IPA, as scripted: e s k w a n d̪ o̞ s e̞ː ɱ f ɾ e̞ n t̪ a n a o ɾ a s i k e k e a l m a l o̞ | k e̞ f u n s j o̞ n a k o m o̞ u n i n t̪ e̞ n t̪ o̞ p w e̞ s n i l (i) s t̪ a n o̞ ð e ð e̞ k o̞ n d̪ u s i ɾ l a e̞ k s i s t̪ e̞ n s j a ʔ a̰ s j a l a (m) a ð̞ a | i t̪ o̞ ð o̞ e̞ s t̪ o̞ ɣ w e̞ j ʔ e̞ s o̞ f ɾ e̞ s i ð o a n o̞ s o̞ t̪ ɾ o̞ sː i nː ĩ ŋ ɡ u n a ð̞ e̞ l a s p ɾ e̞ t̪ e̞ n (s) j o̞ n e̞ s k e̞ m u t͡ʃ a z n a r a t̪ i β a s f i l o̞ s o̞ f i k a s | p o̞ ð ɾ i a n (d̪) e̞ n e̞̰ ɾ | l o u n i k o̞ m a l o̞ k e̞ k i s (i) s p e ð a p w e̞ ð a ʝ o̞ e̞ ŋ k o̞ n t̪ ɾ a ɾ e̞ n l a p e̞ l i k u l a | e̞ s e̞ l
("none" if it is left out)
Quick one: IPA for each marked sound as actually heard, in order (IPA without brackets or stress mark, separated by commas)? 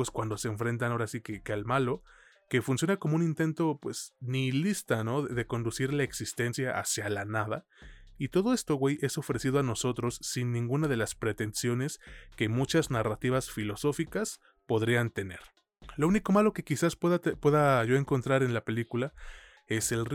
i, n, s, t̪, a